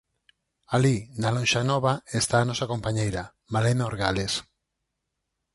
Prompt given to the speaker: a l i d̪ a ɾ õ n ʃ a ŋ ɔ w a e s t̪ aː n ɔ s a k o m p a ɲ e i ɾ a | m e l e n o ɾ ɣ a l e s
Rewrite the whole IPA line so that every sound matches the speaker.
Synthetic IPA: a l i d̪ a l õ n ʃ a n ɔ β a e s t̪ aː n ɔ s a k o m p a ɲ e j ɾ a | m a l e n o ɾ ɣ a l e s